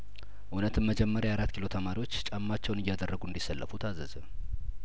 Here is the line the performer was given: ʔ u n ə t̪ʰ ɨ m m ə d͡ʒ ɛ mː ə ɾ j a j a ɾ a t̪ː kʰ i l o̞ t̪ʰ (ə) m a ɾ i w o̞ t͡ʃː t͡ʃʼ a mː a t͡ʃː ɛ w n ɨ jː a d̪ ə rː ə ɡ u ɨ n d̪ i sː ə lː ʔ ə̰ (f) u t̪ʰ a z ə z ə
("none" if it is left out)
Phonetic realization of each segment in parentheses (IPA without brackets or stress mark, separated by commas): ə, f